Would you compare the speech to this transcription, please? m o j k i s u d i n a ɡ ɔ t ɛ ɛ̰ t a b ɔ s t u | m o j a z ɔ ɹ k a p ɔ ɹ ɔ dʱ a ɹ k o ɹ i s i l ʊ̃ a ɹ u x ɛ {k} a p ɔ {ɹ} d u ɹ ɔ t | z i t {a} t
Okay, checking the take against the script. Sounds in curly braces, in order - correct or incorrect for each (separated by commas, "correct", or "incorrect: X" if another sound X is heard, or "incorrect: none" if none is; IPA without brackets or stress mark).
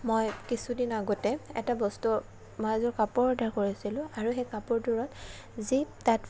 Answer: correct, correct, correct